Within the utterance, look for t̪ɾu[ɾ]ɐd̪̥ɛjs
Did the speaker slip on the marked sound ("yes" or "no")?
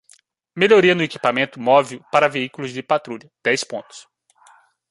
yes